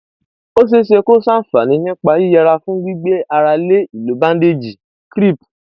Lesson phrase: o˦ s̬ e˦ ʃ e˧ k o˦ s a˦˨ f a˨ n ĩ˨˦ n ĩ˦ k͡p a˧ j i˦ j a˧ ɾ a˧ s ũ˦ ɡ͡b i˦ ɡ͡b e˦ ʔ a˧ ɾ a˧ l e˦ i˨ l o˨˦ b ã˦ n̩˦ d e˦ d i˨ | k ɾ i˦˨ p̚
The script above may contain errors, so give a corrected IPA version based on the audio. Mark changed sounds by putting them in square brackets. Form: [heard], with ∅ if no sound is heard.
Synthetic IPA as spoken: o˦ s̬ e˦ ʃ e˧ k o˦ s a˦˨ f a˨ n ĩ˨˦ n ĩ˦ k͡p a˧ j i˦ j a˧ ɾ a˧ [f] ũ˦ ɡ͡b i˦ ɡ͡b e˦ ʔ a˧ ɾ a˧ l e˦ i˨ l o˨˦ b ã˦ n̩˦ d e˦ [d͡ʒ] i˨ | k ɾ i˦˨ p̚